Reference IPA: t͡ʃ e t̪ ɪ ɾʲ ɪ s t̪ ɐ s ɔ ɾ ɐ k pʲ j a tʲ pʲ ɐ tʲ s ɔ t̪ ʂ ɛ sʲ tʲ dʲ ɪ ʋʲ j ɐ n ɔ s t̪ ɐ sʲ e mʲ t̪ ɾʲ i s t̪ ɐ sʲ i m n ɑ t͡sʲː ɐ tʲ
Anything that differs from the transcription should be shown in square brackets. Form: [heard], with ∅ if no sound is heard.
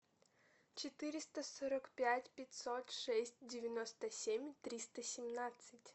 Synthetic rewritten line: t͡ʃ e t̪ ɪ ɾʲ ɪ s t̪ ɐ s ɔ ɾ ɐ k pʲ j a tʲ pʲ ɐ tʲ s ɔ t̪ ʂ ɛ sʲ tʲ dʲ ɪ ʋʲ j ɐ n ɔ s t̪ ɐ sʲ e mʲ t̪ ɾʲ i s t̪ ɐ sʲ i m n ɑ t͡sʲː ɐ tʲ